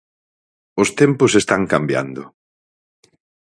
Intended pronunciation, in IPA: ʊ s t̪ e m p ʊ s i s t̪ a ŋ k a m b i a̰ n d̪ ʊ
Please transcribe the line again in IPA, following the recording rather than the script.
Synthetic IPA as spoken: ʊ s t̪ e m p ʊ s e s t̪ a ŋ k a m b j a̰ n d̪ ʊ